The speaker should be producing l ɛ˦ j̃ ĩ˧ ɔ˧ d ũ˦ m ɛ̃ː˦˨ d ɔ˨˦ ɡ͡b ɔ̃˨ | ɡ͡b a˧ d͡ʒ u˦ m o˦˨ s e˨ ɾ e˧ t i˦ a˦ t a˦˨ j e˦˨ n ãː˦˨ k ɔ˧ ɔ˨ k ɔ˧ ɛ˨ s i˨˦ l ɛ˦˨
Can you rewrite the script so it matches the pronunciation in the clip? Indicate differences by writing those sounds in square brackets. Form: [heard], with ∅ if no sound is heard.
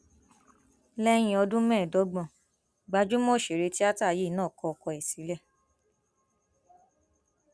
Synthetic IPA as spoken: l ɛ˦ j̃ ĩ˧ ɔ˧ d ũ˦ m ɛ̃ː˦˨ d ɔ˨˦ ɡ͡b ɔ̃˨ | ɡ͡b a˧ d͡ʒ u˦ m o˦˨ [ʃ] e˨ ɾ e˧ t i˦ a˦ t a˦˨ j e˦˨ n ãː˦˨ k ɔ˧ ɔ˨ k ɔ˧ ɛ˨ s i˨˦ l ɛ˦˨